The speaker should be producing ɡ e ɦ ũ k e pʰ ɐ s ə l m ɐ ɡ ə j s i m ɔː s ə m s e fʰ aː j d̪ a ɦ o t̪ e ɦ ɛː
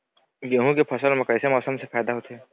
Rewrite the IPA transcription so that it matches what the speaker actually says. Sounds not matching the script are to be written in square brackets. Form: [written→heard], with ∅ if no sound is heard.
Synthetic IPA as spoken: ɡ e ɦ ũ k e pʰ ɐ s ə l m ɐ [ɡ→k] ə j s [i→e] m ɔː s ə m s e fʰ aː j d̪ a ɦ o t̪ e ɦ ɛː